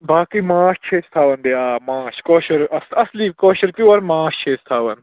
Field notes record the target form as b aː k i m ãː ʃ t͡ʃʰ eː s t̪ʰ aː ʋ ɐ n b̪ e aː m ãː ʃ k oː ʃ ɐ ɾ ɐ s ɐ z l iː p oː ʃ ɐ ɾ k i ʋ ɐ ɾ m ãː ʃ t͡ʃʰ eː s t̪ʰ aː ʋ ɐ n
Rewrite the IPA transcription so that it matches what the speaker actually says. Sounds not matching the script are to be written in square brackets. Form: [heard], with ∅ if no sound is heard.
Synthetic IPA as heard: b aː k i m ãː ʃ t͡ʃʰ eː s t̪ʰ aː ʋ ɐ n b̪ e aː m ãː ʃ k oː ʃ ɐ ɾ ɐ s ɐ [s] l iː [k] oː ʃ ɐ ɾ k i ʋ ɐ ɾ m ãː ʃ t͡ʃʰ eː s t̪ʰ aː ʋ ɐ n